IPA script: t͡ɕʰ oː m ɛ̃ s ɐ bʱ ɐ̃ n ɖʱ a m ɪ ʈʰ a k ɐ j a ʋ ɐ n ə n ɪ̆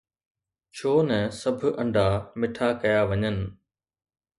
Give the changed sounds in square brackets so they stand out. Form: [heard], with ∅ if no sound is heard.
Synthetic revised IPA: t͡ɕʰ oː [n] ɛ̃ s ɐ bʱ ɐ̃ [ɳ] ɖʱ a m ɪ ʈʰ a k ɐ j a ʋ ɐ [ɲ] ə n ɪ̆